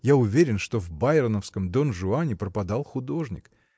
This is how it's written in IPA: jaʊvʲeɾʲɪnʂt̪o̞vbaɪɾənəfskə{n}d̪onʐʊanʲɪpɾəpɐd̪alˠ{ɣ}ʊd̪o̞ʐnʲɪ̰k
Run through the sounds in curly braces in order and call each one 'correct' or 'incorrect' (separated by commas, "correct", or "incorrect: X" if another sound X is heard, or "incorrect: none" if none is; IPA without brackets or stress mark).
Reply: incorrect: m, incorrect: x